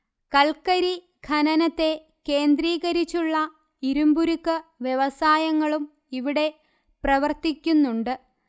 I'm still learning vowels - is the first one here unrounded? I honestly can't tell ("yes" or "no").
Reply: yes